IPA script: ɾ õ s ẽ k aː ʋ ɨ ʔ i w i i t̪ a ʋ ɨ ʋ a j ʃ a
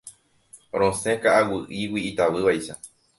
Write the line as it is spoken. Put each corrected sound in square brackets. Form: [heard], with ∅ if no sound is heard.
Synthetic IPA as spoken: ɾ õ s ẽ k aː [w] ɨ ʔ i w i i t̪ a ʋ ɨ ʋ a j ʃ a